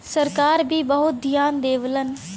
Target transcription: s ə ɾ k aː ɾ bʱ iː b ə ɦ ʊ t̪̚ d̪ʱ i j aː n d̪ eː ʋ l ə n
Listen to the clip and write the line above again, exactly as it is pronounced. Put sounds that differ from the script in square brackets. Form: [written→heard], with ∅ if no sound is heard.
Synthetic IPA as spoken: s ə ɾ k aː ɾ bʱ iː b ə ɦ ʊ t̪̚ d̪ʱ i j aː n d̪ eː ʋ l ə n